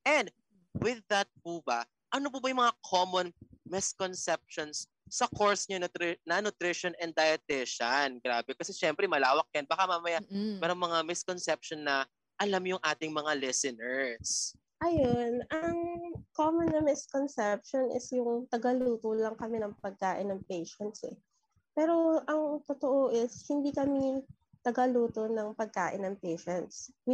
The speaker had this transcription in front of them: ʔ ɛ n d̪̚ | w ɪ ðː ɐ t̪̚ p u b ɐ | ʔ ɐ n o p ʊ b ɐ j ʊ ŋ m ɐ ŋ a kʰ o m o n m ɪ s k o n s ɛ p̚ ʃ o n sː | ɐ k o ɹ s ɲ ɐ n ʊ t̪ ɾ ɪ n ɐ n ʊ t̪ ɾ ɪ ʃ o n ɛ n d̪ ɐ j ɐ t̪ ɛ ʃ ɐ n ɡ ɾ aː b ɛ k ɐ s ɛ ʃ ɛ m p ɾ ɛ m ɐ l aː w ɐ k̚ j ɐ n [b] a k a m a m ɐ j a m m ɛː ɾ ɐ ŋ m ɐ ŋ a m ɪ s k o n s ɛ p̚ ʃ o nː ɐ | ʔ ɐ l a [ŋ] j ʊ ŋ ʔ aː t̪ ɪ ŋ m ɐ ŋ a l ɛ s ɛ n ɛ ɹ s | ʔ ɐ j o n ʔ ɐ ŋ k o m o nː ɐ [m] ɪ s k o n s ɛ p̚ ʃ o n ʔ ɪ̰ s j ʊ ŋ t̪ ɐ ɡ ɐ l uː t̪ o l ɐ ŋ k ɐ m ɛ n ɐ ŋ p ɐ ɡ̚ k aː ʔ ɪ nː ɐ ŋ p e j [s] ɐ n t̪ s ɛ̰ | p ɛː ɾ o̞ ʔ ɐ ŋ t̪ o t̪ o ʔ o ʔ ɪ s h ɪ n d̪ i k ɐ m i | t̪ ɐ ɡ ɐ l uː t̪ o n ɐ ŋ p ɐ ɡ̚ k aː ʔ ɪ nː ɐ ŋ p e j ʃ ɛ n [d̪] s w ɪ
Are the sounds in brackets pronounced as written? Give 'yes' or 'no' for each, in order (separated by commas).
yes, no, yes, no, no